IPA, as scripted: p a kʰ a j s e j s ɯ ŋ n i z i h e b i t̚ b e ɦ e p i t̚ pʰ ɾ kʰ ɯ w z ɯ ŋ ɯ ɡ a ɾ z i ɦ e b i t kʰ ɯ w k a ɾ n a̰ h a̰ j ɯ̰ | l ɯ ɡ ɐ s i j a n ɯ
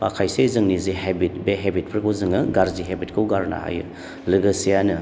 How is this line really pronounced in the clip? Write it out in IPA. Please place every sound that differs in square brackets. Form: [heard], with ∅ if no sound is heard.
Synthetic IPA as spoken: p a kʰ a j s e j [z] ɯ ŋ n i z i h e b i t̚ b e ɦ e [b] i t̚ pʰ ɾ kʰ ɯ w z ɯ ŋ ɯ ɡ a ɾ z i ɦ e b i t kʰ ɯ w [ɡ] a ɾ n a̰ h a̰ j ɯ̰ | l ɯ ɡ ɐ s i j a n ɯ